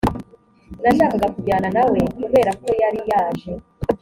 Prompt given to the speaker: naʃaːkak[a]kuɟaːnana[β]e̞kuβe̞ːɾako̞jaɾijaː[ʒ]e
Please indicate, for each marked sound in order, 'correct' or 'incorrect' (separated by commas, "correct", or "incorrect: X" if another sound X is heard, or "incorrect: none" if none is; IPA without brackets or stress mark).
correct, incorrect: w, correct